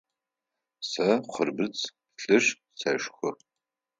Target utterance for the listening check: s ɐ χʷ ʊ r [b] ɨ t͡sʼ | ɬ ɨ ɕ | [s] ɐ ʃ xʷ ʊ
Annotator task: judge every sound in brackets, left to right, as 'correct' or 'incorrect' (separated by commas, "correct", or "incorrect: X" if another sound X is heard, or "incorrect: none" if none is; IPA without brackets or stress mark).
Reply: correct, correct